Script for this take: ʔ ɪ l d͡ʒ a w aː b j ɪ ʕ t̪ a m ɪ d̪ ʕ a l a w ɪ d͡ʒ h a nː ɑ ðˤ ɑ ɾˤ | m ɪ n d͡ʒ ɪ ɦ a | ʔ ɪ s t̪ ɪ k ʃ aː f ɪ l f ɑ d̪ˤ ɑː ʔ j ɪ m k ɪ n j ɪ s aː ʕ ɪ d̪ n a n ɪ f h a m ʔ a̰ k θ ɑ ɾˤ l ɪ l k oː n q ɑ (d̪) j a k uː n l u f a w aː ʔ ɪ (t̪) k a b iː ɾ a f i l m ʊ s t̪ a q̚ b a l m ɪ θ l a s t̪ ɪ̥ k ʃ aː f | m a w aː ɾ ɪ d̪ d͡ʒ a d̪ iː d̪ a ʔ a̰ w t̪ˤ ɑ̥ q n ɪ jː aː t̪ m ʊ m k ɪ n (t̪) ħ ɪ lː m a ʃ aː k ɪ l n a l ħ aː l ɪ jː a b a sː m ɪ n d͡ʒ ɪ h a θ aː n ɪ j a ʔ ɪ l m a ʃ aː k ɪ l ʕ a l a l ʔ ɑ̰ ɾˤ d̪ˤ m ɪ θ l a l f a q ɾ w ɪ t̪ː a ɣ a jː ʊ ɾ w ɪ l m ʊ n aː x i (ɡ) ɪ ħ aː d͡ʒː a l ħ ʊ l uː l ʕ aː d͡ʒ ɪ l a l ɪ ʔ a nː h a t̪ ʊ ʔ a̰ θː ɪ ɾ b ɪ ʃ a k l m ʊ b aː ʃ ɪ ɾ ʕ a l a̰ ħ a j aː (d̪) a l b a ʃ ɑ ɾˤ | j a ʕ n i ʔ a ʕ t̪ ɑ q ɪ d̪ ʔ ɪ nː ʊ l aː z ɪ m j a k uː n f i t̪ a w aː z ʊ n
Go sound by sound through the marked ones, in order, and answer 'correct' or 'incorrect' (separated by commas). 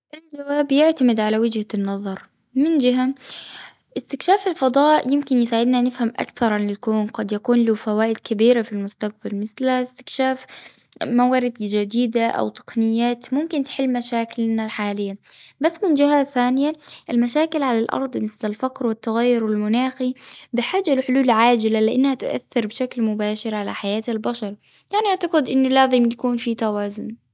correct, incorrect, correct, incorrect, incorrect